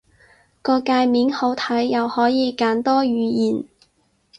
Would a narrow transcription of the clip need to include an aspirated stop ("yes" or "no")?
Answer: yes